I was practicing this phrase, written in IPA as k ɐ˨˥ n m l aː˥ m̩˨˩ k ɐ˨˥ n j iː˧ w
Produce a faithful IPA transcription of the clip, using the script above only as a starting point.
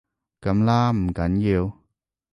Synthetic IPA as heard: k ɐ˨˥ m l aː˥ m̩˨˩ k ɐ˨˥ n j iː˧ w